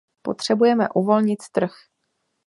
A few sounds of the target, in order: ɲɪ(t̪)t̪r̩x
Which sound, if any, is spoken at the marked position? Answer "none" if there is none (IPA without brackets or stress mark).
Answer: t̪